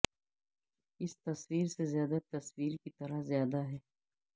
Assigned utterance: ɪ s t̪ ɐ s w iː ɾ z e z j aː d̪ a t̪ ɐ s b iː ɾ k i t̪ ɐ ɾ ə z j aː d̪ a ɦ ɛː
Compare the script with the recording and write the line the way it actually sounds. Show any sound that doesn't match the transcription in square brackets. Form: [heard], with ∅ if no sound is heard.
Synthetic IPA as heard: ɪ s t̪ ɐ s w iː ɾ [s] e z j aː d̪ a t̪ ɐ s [w] iː ɾ k i t̪ ɐ ɾ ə z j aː d̪ a ɦ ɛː